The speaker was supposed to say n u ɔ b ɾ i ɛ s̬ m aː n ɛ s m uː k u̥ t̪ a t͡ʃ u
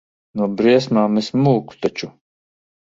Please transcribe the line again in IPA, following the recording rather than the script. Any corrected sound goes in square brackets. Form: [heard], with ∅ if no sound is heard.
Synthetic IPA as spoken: n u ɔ b ɾ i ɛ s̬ m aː [m] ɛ s m uː k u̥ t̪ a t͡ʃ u